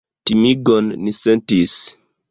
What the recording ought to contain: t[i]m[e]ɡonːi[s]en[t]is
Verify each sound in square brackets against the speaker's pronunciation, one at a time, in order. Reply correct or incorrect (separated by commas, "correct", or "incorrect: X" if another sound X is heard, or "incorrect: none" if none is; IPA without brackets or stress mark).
correct, incorrect: i, correct, correct